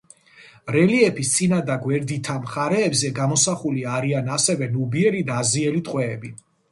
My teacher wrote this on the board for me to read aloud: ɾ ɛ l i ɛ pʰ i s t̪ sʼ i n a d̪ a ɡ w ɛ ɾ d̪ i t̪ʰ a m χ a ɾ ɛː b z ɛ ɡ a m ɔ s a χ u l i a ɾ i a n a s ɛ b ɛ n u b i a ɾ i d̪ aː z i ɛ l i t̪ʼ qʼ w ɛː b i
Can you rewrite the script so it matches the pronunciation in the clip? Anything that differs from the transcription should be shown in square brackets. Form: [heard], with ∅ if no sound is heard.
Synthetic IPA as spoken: ɾ ɛ l i ɛ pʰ i s t̪ sʼ i n a d̪ a ɡ w ɛ ɾ d̪ i t̪ʰ a m χ a ɾ ɛː b z ɛ ɡ a m ɔ s a χ u l i a ɾ i a n a s ɛ [v] ɛ n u b i [ɛ] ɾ i d̪ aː z i ɛ l i t̪ʼ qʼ w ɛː b i